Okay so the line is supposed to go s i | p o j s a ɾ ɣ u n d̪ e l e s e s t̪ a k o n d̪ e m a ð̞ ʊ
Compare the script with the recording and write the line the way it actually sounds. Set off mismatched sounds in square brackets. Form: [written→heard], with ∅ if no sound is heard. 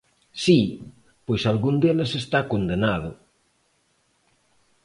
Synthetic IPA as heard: s i | p o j s a [ɾ→l] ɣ u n d̪ e l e s e s t̪ a k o n d̪ e [m→n] a ð̞ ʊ